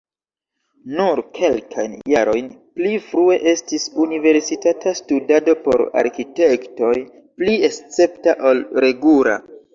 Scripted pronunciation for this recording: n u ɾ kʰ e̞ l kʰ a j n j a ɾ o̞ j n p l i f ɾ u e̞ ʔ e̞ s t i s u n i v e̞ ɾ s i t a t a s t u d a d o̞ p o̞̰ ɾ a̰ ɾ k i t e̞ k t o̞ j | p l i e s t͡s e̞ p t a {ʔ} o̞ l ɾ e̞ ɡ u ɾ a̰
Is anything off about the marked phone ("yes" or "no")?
no